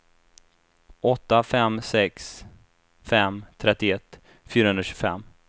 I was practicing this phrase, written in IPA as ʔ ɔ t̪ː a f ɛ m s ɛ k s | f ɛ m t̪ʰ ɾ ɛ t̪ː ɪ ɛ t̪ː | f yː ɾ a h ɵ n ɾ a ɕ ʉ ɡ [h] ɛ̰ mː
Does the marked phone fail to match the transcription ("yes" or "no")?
yes